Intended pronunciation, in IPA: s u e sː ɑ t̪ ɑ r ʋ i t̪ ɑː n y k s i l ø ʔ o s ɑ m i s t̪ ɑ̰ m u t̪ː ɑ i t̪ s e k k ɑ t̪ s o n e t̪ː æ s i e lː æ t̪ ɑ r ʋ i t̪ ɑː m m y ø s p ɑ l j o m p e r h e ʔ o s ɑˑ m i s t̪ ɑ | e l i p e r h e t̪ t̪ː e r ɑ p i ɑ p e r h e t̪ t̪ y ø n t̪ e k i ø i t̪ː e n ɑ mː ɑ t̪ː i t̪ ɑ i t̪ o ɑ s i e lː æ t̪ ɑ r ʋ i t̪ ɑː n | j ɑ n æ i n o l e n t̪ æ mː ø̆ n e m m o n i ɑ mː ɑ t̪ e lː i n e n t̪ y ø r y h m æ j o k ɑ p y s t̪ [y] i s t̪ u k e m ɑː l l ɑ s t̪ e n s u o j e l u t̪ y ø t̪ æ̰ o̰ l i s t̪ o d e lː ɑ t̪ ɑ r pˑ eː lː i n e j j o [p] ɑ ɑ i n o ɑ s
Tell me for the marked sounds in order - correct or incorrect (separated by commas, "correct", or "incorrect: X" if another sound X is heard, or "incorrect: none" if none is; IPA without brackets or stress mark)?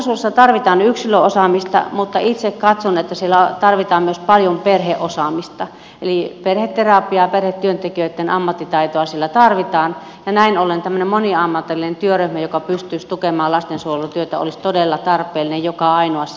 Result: correct, incorrect: k